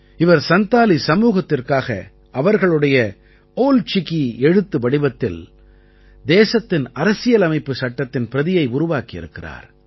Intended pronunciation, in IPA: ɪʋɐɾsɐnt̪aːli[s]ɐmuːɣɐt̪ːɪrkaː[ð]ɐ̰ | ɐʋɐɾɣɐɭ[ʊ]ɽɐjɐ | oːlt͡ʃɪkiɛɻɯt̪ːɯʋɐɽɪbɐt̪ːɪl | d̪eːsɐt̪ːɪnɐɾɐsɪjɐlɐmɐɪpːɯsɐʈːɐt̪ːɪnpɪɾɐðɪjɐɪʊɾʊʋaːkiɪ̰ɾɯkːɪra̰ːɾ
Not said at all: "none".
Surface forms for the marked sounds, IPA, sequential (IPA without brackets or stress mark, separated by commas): s, ɣ, ɯ